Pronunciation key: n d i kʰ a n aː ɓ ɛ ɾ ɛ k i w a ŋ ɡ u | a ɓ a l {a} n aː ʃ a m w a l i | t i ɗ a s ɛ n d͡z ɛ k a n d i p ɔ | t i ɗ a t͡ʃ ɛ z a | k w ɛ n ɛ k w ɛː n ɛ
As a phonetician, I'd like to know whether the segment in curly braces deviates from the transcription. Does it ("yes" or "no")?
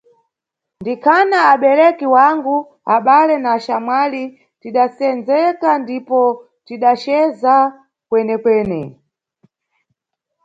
yes